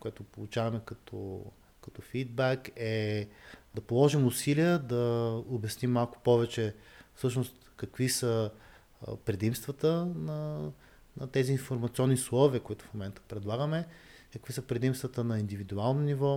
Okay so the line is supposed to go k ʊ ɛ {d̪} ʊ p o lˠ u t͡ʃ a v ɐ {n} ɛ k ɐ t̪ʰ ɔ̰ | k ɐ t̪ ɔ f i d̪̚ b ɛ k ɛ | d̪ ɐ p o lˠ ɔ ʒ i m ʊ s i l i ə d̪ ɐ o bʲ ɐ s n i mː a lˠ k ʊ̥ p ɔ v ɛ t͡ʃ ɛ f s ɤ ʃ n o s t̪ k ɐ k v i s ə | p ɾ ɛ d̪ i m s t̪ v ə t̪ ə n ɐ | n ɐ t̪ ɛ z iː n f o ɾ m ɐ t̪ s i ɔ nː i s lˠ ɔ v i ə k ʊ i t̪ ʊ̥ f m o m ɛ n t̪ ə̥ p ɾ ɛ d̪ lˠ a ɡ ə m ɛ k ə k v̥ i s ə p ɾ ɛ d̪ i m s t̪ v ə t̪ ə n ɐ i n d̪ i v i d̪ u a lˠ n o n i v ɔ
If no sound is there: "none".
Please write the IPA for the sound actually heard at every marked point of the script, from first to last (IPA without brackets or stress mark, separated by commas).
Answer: t̪, m